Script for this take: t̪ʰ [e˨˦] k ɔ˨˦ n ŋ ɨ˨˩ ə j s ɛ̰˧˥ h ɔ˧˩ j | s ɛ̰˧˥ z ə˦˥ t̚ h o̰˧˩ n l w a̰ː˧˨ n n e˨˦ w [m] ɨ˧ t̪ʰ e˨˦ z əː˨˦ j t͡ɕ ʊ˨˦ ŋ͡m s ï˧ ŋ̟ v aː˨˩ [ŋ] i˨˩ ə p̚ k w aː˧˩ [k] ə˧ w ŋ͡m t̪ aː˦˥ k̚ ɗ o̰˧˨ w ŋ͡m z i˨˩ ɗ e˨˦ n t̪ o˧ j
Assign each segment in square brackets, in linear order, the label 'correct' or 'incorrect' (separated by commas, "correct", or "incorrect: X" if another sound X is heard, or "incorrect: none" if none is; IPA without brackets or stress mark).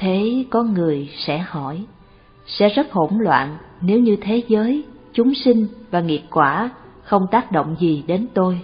correct, incorrect: ɲ, correct, incorrect: x